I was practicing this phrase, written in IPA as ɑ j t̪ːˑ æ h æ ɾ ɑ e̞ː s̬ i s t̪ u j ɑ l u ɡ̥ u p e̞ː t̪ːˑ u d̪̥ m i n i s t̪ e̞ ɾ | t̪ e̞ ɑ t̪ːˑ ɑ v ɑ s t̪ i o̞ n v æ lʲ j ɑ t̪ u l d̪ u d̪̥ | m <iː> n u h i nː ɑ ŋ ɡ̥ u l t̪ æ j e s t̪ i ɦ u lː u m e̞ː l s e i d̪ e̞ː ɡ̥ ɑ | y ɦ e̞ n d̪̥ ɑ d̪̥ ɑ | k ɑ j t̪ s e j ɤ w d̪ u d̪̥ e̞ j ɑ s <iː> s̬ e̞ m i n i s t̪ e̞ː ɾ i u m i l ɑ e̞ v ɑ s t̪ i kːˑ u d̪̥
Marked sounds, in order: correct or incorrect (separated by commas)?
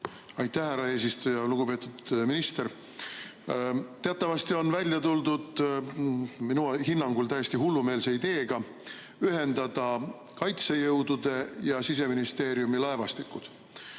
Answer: incorrect, incorrect